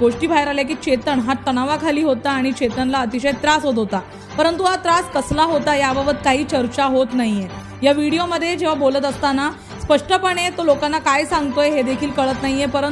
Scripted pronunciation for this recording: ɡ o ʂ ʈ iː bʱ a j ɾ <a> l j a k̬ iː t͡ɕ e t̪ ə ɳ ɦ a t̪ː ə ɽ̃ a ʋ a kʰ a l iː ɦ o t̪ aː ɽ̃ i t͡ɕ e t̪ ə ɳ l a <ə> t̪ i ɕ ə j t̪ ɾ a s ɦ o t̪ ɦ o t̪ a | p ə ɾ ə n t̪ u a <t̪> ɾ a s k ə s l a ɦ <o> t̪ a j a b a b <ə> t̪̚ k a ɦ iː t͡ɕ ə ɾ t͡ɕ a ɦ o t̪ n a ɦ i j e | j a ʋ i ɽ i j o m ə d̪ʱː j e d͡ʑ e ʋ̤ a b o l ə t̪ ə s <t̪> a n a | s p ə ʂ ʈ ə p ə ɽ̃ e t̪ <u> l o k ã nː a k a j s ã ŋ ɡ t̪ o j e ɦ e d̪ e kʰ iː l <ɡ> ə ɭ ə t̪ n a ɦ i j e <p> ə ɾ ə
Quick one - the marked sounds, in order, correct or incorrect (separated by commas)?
correct, correct, correct, correct, correct, correct, incorrect, incorrect, correct